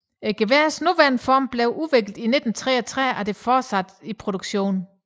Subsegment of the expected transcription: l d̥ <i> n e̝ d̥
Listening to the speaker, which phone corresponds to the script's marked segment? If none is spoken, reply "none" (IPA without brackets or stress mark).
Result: i